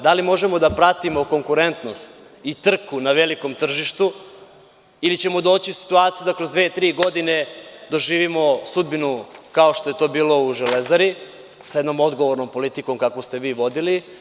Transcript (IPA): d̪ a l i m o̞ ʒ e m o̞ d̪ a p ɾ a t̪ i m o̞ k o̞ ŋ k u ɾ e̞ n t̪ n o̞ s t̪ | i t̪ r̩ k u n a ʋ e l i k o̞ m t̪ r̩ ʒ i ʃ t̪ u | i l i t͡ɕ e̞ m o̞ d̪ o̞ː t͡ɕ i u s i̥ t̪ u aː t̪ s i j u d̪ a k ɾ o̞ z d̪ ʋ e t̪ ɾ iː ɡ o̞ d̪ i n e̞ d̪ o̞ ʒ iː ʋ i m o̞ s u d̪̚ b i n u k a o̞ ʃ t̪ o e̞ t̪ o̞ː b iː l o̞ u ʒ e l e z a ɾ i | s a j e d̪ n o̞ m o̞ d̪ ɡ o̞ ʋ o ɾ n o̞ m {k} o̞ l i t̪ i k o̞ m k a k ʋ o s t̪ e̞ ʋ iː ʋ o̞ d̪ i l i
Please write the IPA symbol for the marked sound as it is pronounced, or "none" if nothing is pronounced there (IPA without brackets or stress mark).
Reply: p